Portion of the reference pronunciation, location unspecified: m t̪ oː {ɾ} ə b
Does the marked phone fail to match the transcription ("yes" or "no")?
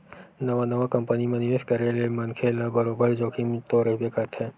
no